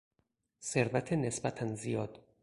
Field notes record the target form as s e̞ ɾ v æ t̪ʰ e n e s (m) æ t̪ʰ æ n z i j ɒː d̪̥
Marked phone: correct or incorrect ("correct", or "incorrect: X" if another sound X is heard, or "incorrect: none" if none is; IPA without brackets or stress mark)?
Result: incorrect: b